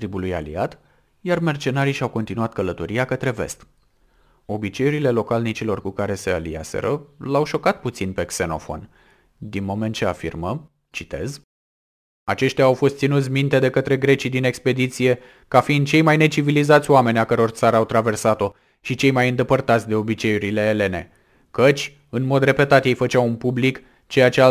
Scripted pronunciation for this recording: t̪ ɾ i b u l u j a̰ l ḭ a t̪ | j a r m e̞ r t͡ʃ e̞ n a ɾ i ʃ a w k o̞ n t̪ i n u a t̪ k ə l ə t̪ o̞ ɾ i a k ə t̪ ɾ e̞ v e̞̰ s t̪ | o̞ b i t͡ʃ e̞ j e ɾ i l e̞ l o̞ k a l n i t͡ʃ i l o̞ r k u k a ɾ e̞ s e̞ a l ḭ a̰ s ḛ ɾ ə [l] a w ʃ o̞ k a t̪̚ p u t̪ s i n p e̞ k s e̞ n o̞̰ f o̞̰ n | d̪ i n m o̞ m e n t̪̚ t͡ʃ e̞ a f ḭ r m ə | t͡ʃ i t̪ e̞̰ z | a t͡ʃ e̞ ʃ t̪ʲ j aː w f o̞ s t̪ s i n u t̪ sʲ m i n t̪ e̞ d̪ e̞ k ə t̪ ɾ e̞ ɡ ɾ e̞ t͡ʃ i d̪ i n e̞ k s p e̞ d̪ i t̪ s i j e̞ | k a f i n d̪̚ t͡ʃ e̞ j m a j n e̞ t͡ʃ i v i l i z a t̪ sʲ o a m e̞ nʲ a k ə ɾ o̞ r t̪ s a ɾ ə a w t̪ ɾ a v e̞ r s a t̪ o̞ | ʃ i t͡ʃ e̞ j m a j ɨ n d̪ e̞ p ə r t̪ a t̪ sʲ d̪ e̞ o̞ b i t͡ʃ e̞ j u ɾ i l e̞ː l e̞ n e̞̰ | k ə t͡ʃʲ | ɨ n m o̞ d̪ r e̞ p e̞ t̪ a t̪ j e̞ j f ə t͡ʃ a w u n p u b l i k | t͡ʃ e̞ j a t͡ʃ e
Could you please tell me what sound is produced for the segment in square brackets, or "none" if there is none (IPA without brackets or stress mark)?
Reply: l